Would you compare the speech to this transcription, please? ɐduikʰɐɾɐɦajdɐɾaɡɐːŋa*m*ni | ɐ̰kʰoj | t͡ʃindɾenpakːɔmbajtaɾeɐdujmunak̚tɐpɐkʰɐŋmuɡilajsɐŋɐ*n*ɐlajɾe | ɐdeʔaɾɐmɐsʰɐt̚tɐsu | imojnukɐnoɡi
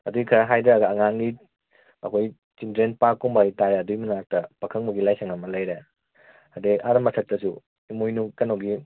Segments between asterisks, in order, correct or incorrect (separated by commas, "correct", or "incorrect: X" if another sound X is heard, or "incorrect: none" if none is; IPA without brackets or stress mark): incorrect: ŋ, incorrect: m